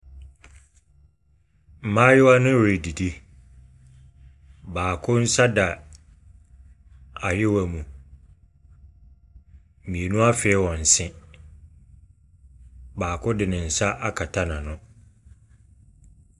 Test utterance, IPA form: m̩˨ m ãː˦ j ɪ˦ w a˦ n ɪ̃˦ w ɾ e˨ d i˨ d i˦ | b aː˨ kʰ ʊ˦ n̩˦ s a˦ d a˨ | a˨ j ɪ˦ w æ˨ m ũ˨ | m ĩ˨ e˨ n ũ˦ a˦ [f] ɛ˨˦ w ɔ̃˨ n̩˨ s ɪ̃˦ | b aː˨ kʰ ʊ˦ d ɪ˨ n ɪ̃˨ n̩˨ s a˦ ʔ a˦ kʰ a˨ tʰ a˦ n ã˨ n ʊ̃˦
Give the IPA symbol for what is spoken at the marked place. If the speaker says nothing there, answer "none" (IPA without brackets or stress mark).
f